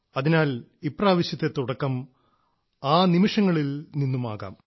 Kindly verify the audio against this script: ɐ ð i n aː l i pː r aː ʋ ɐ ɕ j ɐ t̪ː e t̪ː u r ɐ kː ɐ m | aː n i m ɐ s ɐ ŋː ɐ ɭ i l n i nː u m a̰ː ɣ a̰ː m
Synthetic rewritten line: ɐ ð i n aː l i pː r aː ʋ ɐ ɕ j ɐ t̪ː e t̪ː u ɽ ɐ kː ɐ m | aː n i m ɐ ʂ ɐ ŋː ɐ ɭ i l n i nː u m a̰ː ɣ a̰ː m